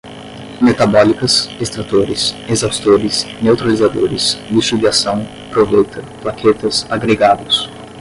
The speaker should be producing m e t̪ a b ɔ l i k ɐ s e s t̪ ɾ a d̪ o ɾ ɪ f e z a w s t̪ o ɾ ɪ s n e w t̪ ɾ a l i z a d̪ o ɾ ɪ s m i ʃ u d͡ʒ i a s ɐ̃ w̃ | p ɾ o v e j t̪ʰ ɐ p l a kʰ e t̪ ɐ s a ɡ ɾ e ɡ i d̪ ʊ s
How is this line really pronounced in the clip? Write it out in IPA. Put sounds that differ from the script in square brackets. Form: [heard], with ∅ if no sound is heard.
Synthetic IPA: m e t̪ a b ɔ l i k ɐ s e s t̪ ɾ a [t̪] o ɾ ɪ [s] e z a w s t̪ o ɾ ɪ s n e w t̪ ɾ a l i z a d̪ o ɾ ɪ s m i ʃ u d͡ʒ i a s ɐ̃ w̃ | p ɾ o v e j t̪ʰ ɐ p l a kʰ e t̪ ɐ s a ɡ ɾ e ɡ [a] d̪ ʊ s